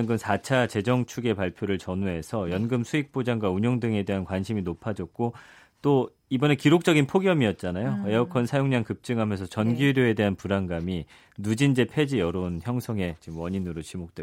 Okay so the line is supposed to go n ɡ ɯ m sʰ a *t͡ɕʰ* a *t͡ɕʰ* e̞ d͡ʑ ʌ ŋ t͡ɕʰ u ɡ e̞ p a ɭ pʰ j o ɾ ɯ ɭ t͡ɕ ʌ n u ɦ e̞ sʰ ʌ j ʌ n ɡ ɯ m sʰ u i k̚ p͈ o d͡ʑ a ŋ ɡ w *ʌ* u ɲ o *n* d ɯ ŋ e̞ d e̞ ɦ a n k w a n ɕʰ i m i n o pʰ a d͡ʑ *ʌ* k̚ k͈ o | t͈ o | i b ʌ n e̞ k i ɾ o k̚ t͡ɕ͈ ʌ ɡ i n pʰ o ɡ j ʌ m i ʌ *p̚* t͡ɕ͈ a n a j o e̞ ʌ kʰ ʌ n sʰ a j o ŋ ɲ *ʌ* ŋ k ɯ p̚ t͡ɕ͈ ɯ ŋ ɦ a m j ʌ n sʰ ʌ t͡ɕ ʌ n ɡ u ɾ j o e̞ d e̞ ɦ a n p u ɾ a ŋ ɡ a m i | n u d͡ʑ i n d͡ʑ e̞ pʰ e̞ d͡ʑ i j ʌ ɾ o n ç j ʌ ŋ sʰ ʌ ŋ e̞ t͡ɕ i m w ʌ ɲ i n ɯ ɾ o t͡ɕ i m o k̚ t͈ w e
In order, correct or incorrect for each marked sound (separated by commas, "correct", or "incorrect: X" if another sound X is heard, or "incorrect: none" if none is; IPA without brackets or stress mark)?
correct, incorrect: t͡ɕ, incorrect: a, incorrect: ŋ, correct, incorrect: t̚, incorrect: a